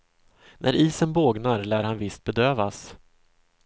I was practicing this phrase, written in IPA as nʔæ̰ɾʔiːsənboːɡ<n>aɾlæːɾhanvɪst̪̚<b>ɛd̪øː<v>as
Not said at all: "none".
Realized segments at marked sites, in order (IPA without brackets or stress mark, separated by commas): n, b, v